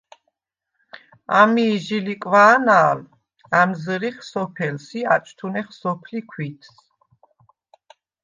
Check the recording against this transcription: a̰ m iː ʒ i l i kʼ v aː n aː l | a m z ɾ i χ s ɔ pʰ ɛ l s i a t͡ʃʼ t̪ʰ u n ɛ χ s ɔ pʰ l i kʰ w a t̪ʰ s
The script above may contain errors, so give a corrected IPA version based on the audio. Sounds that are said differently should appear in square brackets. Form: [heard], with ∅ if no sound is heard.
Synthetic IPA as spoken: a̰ m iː ʒ i l i kʼ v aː n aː l | a m z ɾ i χ s ɔ pʰ ɛ l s i a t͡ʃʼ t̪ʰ u n ɛ χ s ɔ pʰ l i kʰ w [i] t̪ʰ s